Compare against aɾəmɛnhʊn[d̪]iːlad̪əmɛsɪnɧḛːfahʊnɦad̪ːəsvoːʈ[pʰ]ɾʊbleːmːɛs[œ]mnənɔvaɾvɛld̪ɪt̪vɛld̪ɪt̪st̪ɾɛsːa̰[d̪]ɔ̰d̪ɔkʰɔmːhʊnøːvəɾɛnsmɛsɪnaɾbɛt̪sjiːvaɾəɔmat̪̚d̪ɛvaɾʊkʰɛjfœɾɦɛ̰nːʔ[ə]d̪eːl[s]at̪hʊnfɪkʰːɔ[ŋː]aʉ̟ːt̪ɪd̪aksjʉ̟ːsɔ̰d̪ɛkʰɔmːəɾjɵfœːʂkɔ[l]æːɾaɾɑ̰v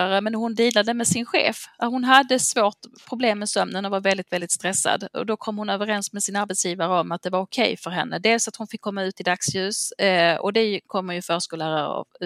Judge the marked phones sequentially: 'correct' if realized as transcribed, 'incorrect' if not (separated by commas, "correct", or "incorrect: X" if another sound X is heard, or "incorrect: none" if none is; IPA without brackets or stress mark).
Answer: correct, correct, correct, correct, correct, correct, incorrect: mː, correct